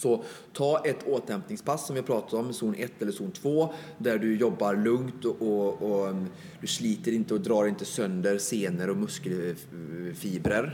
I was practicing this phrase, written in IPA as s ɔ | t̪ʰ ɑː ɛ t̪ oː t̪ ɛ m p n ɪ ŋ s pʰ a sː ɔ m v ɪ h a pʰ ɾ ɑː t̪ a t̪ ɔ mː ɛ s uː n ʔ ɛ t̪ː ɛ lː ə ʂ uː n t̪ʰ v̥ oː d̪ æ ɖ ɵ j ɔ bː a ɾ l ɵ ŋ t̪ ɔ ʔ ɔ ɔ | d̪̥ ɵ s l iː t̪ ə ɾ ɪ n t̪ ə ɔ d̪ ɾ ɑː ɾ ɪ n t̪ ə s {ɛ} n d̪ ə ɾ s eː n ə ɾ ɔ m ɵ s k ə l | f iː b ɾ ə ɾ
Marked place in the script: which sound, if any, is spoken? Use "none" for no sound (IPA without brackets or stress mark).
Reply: œ